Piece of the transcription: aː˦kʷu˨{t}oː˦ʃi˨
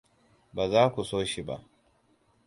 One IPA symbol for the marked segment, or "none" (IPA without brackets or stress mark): s